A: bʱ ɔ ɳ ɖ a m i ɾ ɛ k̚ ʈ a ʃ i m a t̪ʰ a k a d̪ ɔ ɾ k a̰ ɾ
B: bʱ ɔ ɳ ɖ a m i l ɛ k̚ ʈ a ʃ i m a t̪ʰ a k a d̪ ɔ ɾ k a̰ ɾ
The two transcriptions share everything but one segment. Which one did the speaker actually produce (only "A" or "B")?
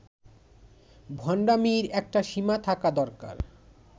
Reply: A